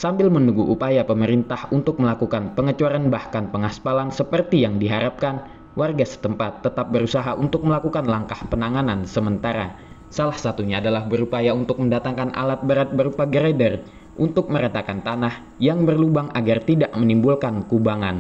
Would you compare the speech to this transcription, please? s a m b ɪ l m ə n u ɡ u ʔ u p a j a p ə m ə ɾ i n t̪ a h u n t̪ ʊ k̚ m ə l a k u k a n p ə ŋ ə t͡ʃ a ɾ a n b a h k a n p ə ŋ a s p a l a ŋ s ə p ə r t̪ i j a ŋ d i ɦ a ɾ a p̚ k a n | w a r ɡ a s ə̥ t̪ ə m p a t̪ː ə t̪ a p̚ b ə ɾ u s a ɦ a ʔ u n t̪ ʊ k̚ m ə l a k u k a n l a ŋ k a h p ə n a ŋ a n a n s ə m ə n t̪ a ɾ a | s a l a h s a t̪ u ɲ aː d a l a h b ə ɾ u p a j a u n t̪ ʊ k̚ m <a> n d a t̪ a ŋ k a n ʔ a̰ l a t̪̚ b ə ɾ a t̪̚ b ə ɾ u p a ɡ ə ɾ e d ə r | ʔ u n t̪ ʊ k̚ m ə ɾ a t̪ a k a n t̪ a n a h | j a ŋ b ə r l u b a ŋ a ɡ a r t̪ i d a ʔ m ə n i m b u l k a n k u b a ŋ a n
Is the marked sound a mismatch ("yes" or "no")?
yes